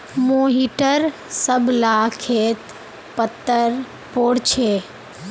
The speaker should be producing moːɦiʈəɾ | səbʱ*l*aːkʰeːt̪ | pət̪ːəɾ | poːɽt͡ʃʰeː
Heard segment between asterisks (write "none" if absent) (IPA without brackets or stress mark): l